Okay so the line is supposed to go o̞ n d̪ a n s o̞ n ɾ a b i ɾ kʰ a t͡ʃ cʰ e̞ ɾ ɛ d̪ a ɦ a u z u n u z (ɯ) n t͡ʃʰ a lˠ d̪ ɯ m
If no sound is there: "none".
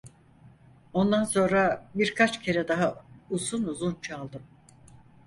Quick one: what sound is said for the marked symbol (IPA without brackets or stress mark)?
u